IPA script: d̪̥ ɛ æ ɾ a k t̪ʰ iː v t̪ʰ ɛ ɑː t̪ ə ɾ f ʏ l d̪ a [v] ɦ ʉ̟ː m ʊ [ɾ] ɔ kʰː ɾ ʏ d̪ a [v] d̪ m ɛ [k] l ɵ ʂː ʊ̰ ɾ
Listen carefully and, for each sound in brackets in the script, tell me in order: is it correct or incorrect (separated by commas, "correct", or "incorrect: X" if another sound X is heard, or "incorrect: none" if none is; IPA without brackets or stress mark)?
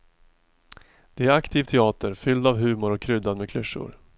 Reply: correct, correct, incorrect: none, incorrect: kʰ